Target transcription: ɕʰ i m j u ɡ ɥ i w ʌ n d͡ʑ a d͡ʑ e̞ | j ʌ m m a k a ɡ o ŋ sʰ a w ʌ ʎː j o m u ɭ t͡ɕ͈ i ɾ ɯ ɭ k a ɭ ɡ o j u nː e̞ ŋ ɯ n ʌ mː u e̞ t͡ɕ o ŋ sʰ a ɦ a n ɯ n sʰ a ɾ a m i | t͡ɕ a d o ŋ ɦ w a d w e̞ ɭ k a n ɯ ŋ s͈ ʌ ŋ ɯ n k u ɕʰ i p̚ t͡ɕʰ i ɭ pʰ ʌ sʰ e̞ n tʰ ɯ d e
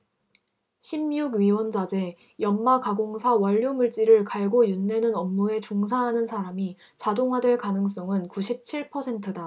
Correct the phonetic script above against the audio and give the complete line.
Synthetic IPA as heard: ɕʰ i m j u ɡ ɥ i w ʌ n d͡ʑ a d͡ʑ e̞ | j ʌ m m a k a ɡ o ŋ sʰ a w ʌ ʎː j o m u ɭ t͡ɕ͈ i ɾ ɯ ɭ k a ɭ ɡ o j u nː e̞ n ɯ n ʌ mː u e̞ t͡ɕ o ŋ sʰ a ɦ a n ɯ n sʰ a ɾ a m i | t͡ɕ a d o ŋ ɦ w a d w e̞ ɭ k a n ɯ ŋ s͈ ʌ ŋ ɯ n k u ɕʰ i p̚ t͡ɕʰ i ɭ pʰ ʌ sʰ e̞ n tʰ ɯ d a